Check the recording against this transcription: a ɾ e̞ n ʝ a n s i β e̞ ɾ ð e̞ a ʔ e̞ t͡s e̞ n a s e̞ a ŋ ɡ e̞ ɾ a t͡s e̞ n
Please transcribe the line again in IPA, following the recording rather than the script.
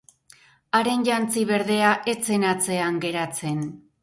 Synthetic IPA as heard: a ɾ e̞ n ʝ a n t͡s i β e̞ ɾ ð e̞ a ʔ e̞ t͡s e̞ n a t͡s e̞ a ŋ ɡ e̞ ɾ a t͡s e̞ n